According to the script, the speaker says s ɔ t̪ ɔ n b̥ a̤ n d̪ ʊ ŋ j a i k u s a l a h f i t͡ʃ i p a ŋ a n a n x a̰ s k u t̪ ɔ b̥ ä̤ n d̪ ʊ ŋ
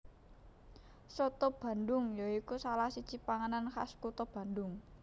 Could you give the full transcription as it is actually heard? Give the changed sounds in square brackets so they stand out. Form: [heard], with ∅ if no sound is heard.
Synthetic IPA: s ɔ t̪ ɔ [∅] b̥ a̤ n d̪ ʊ ŋ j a i k u s a l a h [s] i t͡ʃ i p a ŋ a n a n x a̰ s k u t̪ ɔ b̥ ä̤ n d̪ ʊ ŋ